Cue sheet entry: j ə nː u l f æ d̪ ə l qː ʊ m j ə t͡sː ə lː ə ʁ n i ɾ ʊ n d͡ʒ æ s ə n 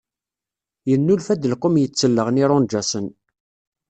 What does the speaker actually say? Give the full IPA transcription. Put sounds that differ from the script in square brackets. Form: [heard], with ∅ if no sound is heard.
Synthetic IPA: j ə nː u l f æ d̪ ə l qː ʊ m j ə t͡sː ə lː ə ʁ n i ɾ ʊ n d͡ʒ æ s ə n